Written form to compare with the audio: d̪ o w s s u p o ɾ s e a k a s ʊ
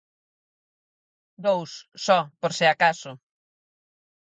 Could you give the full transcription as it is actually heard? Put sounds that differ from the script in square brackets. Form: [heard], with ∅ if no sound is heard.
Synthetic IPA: d̪ o w s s [ɔ] p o ɾ s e a k a s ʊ